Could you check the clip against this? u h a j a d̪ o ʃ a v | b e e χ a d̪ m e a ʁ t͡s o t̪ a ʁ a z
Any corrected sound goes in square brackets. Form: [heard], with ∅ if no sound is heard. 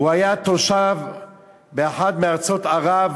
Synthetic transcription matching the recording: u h a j a [t̪] o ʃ a v | b e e [ħ] a d̪ m e a ʁ t͡s o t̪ a ʁ a [v]